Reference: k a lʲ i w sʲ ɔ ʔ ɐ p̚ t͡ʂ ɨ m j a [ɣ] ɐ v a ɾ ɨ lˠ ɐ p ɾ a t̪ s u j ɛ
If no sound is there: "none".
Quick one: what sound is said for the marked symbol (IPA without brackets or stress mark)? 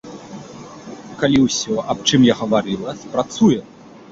ɣ